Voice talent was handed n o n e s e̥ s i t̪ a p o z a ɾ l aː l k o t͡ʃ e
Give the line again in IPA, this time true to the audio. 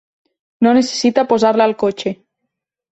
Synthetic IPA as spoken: n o n e s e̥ s i t̪ a p o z a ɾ l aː l k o t͡ʃ e